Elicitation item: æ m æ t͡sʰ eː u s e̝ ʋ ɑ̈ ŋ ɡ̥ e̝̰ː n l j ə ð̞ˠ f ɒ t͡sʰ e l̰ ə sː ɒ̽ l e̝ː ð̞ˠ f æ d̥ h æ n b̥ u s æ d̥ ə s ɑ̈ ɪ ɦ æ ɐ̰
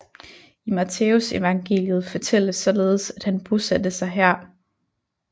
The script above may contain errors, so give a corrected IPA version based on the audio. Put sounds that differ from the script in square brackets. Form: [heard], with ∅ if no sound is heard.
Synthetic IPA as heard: [i] m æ t͡sʰ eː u s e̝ ʋ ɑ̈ ŋ ɡ̥ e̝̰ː [∅] l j ə ð̞ˠ f ɒ t͡sʰ e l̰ ə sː ɒ̽ l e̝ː ð̞ˠ [s] æ d̥ h æ n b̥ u s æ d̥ ə s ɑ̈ ɪ ɦ æ ɐ̰